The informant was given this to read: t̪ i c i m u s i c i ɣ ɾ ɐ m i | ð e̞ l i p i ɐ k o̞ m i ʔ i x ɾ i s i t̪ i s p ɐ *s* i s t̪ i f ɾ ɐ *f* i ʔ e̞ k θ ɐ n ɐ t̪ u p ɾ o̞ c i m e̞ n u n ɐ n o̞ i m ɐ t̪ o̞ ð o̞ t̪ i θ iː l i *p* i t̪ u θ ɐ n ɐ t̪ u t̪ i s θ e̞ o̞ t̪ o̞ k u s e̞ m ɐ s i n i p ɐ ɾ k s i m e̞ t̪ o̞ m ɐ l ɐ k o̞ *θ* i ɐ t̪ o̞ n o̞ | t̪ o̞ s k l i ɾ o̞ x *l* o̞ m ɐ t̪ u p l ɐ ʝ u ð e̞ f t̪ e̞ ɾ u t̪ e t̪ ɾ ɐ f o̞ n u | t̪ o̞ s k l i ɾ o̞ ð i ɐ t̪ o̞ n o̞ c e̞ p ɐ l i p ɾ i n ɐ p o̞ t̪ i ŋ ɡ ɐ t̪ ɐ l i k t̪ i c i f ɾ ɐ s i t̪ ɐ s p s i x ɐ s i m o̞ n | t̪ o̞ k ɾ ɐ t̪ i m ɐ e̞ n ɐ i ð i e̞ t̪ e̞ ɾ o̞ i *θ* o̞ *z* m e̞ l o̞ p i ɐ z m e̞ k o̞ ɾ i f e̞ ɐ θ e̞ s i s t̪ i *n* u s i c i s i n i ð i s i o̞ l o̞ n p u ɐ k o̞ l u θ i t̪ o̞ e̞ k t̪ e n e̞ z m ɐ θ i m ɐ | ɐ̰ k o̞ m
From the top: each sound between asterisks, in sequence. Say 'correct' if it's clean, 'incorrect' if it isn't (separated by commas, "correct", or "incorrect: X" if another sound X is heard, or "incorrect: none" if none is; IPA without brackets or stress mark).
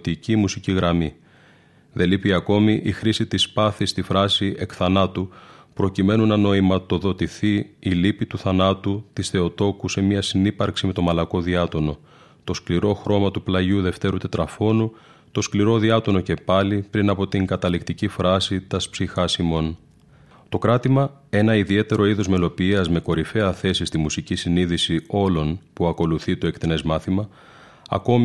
incorrect: θ, incorrect: s, correct, incorrect: ð, incorrect: ɾ, incorrect: ð, correct, incorrect: m